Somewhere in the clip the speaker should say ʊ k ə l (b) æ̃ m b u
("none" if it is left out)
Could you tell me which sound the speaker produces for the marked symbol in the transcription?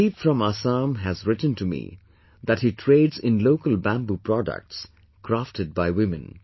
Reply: b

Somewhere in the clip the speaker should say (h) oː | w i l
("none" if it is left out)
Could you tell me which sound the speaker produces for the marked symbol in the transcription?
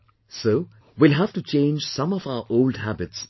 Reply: s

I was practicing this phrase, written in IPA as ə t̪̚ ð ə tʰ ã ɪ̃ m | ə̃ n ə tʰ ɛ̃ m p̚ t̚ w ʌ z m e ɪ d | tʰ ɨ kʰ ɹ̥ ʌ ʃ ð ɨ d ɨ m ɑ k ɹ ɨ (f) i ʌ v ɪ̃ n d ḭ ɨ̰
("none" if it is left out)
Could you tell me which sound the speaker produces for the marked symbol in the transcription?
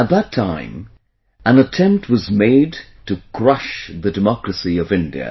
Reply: s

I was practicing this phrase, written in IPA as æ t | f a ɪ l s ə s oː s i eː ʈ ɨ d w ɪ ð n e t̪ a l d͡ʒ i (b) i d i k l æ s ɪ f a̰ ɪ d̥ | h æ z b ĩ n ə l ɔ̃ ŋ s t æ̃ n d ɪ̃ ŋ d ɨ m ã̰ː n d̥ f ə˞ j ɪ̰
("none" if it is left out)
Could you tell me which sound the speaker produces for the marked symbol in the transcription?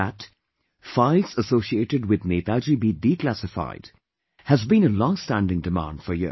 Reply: b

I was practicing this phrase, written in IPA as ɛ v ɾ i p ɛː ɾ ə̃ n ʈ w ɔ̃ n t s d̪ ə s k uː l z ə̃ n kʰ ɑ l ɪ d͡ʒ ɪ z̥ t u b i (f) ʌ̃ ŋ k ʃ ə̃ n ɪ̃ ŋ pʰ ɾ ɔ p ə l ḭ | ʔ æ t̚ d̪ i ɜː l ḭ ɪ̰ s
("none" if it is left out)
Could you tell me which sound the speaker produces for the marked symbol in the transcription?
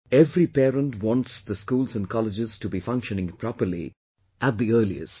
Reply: f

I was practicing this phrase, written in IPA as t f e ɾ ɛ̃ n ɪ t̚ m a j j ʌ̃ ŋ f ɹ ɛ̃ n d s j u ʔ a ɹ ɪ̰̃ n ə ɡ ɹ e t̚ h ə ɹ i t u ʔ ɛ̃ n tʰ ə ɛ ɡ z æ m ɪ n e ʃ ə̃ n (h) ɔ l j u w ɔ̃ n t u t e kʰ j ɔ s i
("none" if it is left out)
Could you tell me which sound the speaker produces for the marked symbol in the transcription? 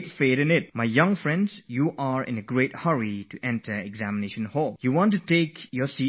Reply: h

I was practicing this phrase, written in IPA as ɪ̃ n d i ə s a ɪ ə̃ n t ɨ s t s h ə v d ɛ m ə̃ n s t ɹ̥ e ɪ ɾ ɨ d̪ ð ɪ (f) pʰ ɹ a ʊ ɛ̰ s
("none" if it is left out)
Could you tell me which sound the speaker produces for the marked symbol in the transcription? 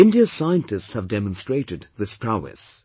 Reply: s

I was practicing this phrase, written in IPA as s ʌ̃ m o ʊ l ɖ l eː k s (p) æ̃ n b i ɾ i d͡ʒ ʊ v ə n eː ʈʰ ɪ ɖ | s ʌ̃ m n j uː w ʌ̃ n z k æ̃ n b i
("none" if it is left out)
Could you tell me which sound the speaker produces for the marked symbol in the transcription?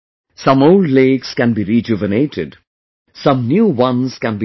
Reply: k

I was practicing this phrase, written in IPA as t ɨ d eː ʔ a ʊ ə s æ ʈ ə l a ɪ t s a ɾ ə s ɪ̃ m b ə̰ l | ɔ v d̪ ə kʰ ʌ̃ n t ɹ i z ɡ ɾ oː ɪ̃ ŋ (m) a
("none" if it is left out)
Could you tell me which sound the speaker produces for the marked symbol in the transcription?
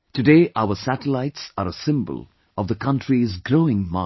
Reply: m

